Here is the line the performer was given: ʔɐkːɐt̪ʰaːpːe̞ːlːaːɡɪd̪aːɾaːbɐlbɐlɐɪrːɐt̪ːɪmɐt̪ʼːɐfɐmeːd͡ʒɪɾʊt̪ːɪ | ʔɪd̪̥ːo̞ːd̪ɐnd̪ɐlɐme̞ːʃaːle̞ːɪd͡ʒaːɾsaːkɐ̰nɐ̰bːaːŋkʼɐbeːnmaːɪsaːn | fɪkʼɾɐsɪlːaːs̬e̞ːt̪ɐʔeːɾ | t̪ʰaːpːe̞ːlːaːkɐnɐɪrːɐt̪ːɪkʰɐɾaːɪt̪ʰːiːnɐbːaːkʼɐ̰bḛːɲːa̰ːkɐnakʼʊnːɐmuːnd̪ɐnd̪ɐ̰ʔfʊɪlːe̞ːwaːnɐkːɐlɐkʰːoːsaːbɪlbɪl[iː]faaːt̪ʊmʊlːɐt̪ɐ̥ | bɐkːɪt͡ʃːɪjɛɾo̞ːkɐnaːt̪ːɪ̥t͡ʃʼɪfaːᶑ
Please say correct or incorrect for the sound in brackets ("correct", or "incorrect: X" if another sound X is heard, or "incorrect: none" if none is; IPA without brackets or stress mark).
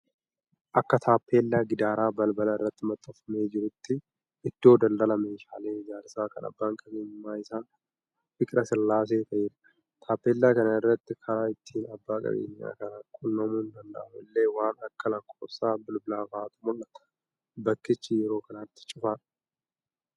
incorrect: aː